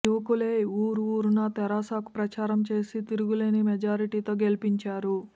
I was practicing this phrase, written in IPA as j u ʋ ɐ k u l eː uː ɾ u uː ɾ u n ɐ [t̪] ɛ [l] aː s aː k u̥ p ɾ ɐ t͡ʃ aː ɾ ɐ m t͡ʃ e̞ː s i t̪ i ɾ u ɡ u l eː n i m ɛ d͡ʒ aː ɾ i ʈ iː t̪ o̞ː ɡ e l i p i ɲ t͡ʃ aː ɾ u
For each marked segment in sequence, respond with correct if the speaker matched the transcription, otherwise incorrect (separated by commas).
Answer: correct, incorrect